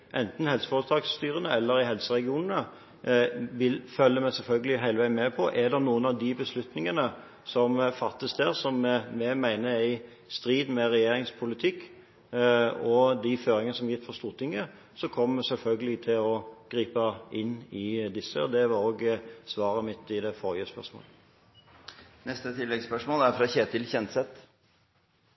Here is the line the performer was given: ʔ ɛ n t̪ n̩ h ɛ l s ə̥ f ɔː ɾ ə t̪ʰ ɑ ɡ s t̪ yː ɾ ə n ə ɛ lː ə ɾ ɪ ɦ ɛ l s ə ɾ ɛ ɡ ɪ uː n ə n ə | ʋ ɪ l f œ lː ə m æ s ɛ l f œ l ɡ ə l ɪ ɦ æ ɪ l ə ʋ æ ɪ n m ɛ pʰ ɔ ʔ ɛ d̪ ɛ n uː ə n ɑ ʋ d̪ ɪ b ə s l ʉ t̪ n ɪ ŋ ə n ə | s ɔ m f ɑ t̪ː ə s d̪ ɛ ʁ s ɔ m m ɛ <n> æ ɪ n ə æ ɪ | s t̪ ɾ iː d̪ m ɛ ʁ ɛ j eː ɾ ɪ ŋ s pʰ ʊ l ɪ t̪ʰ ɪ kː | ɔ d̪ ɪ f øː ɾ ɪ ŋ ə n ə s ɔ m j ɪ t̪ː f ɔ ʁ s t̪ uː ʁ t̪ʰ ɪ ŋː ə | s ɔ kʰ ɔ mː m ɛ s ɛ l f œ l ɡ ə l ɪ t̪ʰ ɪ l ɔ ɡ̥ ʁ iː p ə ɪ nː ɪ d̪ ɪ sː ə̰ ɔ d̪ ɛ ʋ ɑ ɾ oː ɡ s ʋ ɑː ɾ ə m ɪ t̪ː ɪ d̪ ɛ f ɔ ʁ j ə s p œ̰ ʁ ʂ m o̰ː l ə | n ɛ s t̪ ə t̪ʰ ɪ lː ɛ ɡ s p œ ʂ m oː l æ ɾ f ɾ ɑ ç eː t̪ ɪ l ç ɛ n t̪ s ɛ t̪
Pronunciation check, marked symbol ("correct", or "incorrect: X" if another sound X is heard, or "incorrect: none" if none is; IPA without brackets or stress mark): incorrect: m